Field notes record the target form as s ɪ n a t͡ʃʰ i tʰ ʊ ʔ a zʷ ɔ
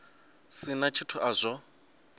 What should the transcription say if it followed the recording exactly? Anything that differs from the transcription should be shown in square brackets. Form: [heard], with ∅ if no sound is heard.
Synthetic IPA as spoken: s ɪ n a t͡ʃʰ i tʰ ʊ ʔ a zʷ ɔ